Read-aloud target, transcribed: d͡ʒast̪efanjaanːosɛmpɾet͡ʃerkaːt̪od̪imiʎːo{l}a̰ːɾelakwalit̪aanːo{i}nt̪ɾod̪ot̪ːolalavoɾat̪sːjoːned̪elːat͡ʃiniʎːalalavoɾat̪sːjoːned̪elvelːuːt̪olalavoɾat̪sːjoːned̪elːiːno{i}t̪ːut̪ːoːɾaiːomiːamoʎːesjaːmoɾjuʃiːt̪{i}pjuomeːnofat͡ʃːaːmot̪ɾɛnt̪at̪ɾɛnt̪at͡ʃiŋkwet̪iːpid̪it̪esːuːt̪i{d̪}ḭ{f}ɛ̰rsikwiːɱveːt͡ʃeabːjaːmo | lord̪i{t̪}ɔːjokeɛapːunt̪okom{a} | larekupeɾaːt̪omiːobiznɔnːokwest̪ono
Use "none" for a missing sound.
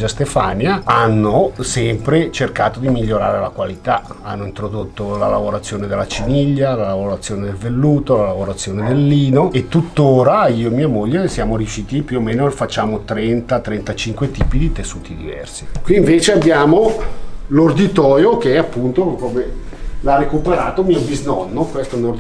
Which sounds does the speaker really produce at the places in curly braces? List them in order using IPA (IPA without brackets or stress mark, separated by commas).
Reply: ɾ, i, e, i, d̪, v, t̪, e